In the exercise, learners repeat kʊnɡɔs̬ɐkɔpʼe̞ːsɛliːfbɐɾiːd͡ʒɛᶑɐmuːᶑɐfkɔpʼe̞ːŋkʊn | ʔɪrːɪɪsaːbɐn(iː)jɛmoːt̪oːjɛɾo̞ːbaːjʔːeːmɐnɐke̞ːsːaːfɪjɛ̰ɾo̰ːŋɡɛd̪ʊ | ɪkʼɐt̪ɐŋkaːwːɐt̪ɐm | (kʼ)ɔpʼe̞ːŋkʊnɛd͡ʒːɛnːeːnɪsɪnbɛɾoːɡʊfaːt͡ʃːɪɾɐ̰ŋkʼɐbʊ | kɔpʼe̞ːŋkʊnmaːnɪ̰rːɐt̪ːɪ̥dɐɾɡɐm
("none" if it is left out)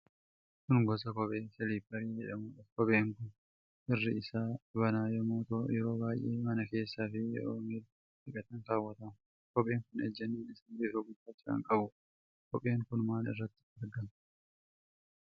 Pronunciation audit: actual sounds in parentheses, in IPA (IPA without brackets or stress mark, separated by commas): aː, k